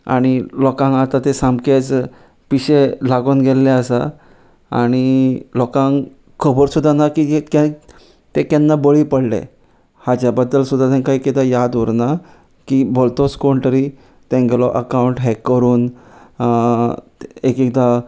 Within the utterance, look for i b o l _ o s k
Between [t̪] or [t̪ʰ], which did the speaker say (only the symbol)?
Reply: t̪